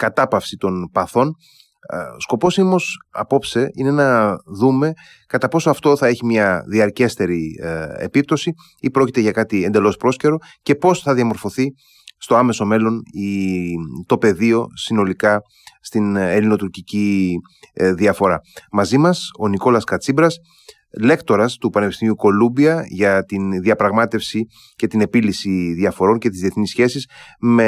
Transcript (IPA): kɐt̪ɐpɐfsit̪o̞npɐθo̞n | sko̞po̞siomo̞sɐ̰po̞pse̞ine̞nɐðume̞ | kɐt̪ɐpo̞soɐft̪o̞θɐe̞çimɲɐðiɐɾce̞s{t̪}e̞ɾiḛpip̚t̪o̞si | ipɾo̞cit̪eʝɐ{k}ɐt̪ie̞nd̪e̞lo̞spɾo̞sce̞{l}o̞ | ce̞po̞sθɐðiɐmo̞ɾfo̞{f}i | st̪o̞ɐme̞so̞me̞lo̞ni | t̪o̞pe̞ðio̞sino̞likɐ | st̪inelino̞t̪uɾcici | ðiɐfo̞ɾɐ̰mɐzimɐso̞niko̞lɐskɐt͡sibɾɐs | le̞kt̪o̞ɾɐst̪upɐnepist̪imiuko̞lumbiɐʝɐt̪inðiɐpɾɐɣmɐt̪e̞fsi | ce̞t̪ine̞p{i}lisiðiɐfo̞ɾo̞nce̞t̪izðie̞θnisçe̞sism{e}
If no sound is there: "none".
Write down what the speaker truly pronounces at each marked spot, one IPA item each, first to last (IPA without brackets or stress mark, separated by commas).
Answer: t̪, k, ɾ, θ, i, e